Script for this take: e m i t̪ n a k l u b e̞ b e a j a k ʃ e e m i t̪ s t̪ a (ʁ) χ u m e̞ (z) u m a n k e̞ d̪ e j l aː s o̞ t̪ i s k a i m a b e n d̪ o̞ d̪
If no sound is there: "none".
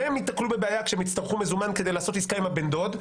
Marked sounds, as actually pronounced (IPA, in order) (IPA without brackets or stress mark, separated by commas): ʁ, z